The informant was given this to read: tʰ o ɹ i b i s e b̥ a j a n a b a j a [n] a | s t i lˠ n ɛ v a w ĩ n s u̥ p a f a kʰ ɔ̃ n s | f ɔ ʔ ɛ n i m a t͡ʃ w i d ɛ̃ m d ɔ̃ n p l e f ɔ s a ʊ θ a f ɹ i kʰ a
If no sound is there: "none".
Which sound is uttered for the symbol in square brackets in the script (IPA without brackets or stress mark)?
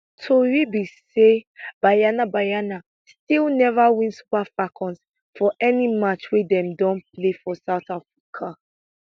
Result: n